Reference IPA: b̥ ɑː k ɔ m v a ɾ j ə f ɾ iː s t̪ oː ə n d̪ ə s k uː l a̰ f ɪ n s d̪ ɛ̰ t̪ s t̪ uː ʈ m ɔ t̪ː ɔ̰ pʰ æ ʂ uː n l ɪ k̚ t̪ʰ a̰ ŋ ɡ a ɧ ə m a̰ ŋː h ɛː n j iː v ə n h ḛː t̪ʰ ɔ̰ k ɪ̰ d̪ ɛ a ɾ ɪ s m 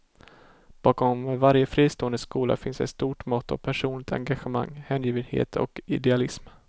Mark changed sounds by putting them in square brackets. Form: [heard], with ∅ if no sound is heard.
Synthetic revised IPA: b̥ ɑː k ɔ m v a ɾ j ə f ɾ iː s t̪ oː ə n d̪ ə s k uː l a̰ f ɪ n s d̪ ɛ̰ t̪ s t̪ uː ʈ m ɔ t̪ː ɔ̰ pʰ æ ʂ uː n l ɪ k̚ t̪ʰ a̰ ŋ ɡ a ɧ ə m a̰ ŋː h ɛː n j iː v ə n h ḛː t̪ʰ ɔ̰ k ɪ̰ d̪ ɛ a [l] ɪ s m